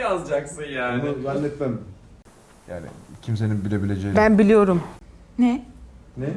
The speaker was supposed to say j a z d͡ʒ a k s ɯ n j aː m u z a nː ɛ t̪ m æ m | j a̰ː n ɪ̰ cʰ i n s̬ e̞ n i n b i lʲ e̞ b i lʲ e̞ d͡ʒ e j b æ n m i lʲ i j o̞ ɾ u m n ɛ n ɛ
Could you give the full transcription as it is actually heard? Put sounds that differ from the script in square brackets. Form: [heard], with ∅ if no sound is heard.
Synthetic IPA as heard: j a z d͡ʒ a k s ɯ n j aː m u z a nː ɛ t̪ m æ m | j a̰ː n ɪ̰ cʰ i [m] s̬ e̞ n i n b i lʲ e̞ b i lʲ e̞ d͡ʒ e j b æ n [b] i lʲ i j o̞ ɾ u m n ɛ n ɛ